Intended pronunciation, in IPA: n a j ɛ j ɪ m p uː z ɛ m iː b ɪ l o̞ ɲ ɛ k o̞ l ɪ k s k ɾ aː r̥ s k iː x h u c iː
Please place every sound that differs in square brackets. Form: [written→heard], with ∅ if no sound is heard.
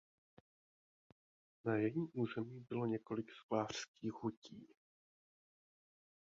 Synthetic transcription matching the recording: n a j ɛ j [ɪ→i] m [p→ʔ] uː z ɛ m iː b ɪ l o̞ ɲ ɛ k o̞ l ɪ k s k [ɾ→l] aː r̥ s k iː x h u c iː